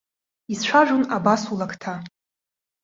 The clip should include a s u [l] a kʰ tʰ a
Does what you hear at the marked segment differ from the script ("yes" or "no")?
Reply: no